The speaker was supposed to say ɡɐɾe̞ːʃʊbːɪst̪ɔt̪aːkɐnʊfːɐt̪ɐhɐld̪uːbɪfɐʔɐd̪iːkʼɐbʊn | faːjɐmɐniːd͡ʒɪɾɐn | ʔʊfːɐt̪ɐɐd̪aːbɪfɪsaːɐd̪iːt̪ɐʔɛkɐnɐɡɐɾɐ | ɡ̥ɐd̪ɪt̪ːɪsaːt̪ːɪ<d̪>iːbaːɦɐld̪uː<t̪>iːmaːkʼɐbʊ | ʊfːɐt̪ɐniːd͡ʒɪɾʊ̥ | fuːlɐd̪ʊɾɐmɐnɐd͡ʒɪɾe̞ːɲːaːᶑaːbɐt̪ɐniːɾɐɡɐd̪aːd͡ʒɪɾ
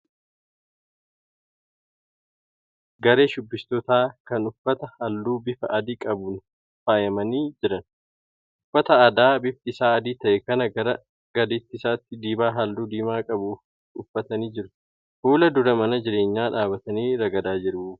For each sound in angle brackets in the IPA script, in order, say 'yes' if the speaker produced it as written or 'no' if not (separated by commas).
yes, no